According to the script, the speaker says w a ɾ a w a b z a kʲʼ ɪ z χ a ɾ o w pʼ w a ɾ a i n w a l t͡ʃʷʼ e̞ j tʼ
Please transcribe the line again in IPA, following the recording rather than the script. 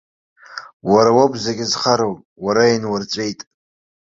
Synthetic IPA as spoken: w a ɾ a w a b z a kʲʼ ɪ z χ a ɾ o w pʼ w a ɾ a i n w a r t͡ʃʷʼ e̞ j tʼ

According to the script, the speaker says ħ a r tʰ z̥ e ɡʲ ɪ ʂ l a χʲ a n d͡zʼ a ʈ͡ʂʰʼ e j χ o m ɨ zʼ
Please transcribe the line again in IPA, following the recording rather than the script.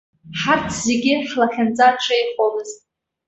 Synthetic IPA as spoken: ħ a r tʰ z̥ e ɡʲ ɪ ħ l a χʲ a n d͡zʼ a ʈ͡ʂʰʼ e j χ o m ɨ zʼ

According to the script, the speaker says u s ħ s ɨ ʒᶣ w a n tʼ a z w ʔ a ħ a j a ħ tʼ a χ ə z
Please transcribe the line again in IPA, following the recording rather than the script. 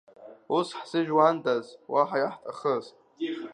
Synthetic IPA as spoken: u s ħ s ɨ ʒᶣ w a n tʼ a z w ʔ a ħ a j a ħ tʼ a χ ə z

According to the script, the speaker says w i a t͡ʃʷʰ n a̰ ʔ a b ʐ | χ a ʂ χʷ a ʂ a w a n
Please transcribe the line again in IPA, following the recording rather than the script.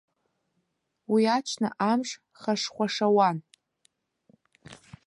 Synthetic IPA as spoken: w i a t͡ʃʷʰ n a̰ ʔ a m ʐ | χ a ʂ χʷ a ʂ a w a n

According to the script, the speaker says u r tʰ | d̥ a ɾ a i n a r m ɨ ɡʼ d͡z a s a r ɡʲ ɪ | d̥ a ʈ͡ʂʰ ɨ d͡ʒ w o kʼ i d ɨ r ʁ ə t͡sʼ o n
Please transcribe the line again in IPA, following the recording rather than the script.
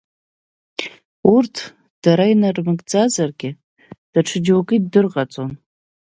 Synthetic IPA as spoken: u r tʰ | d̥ a ɾ a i n a r m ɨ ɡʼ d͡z a z a r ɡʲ ɪ | d̥ a ʈ͡ʂʰ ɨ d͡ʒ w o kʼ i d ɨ r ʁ a t͡sʼ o n

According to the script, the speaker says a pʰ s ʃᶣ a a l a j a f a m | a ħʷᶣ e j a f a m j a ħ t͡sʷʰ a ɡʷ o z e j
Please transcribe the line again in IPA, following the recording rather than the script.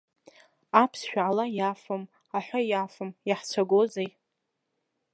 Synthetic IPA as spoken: a pʰ s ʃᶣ a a l a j a f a m | a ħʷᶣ a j a f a m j a ħ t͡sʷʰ a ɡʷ o z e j

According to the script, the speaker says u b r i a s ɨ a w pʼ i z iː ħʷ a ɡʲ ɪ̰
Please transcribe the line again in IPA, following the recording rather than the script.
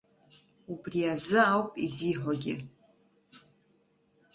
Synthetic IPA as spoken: u b r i a z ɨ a w pʼ i z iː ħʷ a ɡʲ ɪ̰

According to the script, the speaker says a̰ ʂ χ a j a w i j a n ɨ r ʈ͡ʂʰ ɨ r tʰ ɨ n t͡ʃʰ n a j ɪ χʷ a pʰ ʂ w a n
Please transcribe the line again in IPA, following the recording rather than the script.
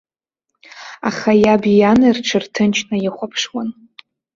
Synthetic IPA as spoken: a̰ χ a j a b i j a n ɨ r ʈ͡ʂʰ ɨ r tʰ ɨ n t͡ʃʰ n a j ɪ χʷ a pʰ ʂ w a n

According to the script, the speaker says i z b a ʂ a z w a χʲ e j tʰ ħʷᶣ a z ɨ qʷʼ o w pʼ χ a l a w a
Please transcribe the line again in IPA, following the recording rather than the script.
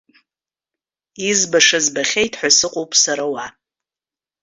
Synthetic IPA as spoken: i z b a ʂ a z b a χʲ e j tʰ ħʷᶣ a s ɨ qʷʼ o w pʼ s a ɾ a w a

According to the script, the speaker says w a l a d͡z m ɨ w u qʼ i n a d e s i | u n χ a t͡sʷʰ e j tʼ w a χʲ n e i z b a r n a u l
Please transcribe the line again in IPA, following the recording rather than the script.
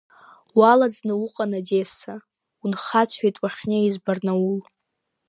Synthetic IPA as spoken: w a l a d͡z n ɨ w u qʼ a n a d e s a | u n χ a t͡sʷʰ e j tʼ w a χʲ n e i z b a r n a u l

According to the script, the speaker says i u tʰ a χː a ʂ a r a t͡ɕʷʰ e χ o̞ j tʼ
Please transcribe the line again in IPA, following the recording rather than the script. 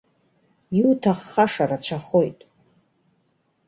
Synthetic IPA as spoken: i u tʰ a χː a ʂ a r a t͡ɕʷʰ a χ o̞ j tʼ

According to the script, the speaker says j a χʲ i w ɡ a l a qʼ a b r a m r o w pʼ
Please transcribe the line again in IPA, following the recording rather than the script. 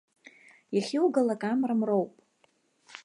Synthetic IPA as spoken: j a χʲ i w ɡ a l a kʼ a m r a m r o w pʼ

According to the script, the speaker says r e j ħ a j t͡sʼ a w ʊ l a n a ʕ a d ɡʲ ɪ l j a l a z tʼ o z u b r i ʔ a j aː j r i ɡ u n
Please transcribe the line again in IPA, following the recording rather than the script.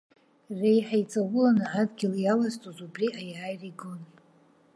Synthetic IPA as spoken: r e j ħ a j t͡sʼ a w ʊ l a n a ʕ a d ɡʲ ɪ l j a l a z tʼ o z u b r i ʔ a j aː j r i ɡ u n

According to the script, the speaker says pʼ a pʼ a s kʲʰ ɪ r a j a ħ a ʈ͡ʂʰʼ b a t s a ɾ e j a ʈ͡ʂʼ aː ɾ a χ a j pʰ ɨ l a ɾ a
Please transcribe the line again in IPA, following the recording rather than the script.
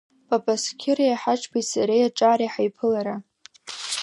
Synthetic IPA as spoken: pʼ a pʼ a s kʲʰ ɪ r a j a ħ a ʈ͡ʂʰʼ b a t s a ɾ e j a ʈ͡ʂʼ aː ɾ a ħ a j pʰ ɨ l a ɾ a

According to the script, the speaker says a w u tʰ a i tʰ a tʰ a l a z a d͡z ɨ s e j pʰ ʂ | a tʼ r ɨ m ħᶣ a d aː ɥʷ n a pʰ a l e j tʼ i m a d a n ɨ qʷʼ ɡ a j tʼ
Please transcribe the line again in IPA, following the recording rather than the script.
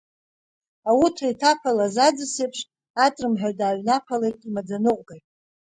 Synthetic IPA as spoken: a w u tʰ a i tʰ a pʰ a l a z a d͡z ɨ s e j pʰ ʂ | a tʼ r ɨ m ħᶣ a d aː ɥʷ n a pʰ a l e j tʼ i m a d͡z a n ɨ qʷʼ ɡ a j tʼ

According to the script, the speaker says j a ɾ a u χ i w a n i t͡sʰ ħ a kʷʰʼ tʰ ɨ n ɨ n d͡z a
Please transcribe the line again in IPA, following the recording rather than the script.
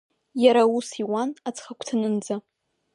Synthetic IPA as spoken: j a ɾ a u s i w a n a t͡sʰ χ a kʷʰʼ tʰ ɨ n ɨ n d͡z a

